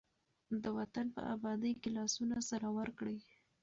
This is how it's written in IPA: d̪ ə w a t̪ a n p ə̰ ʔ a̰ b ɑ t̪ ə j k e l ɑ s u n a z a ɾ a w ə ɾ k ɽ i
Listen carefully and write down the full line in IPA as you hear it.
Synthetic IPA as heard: d̪ ə w a t̪ a n p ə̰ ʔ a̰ b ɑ d̪ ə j k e l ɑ s u n a s a ɾ a w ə ɾ k ɽ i